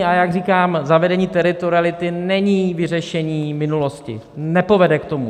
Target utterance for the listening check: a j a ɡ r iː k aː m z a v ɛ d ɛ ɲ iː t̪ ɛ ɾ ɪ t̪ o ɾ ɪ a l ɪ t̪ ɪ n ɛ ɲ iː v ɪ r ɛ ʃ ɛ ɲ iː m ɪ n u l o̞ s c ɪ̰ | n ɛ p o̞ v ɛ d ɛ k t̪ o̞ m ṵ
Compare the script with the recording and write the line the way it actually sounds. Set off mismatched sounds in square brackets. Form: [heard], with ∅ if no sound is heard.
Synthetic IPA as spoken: a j a ɡ r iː k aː m z a v ɛ d ɛ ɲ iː t̪ ɛ ɾ ɪ t̪ o ɾ ɪ a l ɪ t̪ ɪ n ɛ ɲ iː v ɪ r ɛ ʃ ɛ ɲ iː m ɪ n u l o̞ s c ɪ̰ | n ɛ p o̞ v ɛ d ɛ k t̪ o̞ m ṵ